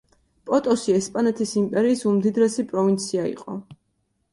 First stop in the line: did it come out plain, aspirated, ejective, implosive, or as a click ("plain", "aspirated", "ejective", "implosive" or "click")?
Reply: ejective